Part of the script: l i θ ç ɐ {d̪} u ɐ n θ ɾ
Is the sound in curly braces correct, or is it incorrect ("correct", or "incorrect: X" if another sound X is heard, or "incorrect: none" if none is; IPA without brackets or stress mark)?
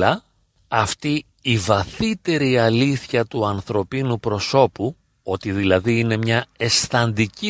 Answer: incorrect: t̪